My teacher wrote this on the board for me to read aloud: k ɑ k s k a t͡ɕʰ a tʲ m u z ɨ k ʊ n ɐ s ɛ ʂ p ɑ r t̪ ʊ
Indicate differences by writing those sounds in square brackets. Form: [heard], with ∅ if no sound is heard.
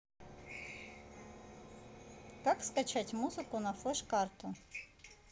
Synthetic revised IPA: k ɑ k s k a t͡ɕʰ a tʲ m u z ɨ k ʊ n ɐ [f] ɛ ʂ [k] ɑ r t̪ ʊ